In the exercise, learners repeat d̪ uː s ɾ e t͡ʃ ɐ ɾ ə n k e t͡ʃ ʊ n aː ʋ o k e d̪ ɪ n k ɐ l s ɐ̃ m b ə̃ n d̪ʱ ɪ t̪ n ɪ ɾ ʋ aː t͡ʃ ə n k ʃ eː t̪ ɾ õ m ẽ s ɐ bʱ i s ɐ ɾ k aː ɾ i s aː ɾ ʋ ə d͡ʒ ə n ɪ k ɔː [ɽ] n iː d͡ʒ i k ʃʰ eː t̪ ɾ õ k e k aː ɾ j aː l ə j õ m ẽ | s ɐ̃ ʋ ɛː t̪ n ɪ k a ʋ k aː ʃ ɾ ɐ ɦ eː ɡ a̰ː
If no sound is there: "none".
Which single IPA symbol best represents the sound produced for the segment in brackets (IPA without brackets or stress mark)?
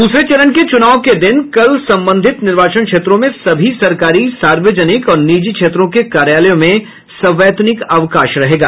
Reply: ɾ